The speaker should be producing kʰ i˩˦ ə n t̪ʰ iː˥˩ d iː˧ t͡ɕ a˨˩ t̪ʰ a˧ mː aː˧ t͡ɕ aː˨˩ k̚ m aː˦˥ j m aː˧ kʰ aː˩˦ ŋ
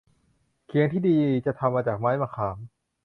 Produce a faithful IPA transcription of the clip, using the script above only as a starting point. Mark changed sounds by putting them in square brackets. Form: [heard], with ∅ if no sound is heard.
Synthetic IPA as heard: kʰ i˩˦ ə [ŋ] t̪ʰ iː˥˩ d iː˧ t͡ɕ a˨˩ t̪ʰ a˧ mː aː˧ t͡ɕ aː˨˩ k̚ m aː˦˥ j m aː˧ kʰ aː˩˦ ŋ